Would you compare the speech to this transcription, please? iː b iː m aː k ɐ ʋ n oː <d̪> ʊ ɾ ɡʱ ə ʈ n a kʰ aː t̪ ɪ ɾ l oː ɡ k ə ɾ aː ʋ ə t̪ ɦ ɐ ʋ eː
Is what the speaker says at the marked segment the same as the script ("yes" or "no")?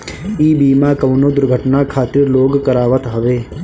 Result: yes